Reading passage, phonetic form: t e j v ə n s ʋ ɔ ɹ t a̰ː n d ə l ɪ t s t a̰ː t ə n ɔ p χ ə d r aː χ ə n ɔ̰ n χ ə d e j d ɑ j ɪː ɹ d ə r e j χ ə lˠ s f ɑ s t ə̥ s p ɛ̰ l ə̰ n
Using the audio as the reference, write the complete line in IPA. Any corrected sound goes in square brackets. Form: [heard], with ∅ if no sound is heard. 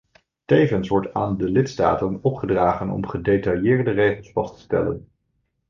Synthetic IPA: t e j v ə n s ʋ ɔ ɹ t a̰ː n d ə l ɪ t s t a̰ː t ə n ɔ p χ ə d r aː χ ə n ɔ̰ [m] χ ə d e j [t] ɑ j ɪː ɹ d ə r e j χ ə lˠ s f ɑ s t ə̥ s [t] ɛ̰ l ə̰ n